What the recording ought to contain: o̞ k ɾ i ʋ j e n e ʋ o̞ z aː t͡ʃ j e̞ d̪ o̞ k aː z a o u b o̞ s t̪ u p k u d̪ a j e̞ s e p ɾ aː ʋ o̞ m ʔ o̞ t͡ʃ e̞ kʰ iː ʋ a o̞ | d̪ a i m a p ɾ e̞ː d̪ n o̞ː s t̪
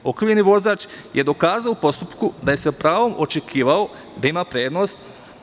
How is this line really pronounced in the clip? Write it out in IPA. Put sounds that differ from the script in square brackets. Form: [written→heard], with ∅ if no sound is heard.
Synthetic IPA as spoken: o̞ k ɾ i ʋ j e n [e→i] ʋ o̞ z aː t͡ʃ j e̞ d̪ o̞ k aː z a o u [b→p] o̞ s t̪ u p k u d̪ a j e̞ s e p ɾ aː ʋ o̞ m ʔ o̞ t͡ʃ e̞ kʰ iː ʋ a o̞ | d̪ a i m a p ɾ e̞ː d̪ n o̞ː s t̪